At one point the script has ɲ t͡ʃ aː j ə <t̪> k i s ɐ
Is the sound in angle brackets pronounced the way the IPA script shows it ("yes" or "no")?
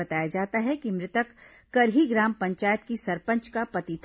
yes